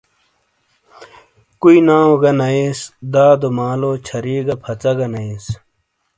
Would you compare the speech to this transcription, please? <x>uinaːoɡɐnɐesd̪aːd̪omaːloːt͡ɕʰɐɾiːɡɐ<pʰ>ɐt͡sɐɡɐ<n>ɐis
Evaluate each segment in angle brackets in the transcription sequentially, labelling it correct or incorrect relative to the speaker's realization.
incorrect: k, correct, correct

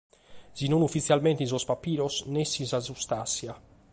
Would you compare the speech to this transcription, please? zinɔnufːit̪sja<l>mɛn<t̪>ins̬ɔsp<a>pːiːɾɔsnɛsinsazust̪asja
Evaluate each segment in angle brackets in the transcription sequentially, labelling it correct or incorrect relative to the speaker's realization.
correct, correct, correct

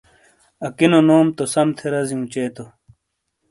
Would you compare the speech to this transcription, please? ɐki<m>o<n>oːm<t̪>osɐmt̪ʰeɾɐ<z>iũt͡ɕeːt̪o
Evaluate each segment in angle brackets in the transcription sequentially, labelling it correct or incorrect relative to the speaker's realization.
incorrect: n, correct, correct, correct

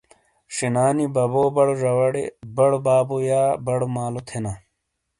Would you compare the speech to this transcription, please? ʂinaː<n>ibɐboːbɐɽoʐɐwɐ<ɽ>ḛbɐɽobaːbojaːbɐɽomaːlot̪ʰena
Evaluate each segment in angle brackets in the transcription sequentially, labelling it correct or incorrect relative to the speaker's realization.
correct, correct

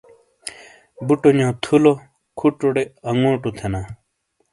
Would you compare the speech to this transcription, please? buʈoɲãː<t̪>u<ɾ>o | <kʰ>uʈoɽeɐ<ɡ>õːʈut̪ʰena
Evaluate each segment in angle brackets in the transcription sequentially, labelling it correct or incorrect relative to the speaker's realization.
incorrect: t̪ʰ, incorrect: l, correct, incorrect: ŋ

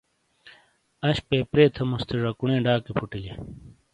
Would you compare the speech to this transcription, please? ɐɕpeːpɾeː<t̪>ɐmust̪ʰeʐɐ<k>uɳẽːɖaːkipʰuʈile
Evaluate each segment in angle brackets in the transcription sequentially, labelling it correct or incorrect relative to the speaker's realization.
incorrect: t̪ʰ, correct

